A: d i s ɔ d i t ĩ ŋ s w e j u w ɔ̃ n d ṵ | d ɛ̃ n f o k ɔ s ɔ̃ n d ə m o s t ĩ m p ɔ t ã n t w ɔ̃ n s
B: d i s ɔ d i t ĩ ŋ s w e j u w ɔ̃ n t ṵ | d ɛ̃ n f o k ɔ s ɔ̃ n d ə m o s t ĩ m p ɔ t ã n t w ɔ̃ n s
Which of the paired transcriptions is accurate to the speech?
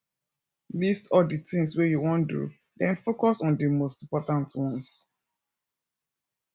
A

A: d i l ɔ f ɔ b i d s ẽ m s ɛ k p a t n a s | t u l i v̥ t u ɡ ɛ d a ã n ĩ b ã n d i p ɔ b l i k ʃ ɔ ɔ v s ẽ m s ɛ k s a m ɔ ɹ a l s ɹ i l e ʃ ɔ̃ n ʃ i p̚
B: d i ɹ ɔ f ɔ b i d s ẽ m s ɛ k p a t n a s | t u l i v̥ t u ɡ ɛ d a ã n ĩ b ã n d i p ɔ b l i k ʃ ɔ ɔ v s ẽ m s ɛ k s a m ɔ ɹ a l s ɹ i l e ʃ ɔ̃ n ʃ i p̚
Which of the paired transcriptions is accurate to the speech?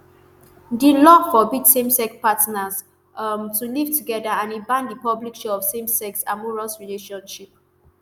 A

